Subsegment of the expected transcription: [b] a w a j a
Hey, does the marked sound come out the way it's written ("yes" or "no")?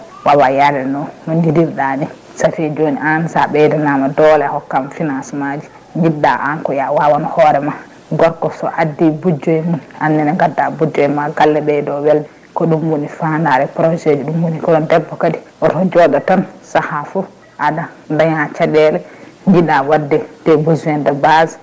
no